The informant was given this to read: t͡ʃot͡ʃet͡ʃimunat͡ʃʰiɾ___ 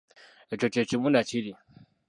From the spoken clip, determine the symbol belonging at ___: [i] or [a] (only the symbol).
i